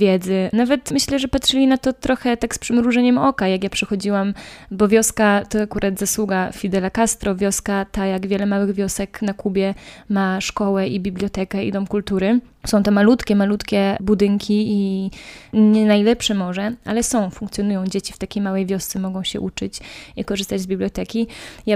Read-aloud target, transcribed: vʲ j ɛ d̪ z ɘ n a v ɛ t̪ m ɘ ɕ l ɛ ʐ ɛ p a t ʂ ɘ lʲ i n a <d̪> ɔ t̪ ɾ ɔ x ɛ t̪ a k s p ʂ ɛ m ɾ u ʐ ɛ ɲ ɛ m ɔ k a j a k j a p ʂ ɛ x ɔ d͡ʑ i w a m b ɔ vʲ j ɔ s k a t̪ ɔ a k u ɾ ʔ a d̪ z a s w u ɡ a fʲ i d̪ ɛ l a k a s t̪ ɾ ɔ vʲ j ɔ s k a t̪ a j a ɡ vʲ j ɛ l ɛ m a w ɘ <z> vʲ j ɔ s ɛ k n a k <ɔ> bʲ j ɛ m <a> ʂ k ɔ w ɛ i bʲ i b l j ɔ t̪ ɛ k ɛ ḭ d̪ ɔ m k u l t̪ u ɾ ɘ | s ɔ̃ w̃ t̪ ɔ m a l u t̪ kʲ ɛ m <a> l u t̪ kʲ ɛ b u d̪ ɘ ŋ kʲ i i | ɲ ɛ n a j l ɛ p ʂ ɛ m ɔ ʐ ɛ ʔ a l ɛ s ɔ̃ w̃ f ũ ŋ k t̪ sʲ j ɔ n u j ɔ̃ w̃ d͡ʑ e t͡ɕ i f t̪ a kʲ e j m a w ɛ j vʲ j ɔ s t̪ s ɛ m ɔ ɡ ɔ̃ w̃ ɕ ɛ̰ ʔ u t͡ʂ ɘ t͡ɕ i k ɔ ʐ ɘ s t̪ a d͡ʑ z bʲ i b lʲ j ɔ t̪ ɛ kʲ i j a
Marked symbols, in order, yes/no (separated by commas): no, no, no, yes, yes